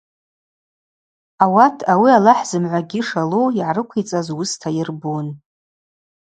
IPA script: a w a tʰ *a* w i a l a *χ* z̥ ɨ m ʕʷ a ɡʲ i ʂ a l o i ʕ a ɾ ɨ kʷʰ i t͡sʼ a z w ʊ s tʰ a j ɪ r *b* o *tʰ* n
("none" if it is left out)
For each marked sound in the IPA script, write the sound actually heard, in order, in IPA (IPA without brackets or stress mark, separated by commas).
a, ħ, b, none